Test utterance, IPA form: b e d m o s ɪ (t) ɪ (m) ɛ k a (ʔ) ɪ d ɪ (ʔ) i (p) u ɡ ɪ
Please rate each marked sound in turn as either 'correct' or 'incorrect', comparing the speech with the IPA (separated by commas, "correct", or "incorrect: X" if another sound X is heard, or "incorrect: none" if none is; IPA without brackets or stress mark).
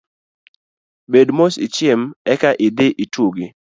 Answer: incorrect: t͡ʃ, correct, correct, correct, incorrect: t